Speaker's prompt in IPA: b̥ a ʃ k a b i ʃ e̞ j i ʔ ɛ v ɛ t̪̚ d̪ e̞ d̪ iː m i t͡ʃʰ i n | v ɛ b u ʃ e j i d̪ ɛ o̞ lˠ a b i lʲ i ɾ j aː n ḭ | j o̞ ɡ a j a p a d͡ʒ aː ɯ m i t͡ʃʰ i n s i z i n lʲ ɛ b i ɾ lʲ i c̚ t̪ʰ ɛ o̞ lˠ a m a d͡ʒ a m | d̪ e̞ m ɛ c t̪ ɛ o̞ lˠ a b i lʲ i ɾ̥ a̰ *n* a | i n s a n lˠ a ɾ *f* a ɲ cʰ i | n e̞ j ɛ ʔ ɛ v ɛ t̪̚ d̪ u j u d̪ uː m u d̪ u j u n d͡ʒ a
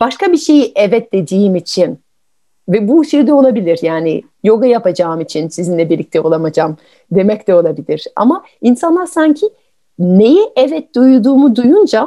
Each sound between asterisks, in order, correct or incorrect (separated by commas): incorrect, incorrect